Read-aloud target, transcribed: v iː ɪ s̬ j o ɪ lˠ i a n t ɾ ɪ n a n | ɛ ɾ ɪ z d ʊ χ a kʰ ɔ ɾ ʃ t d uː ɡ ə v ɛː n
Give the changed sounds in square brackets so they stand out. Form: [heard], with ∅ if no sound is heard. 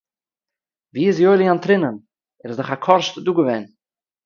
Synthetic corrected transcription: v iː ɪ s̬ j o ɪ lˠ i a n t ɾ ɪ n [ə] n | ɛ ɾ ɪ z d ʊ χ a kʰ ɔ ɾ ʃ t d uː ɡ ə v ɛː n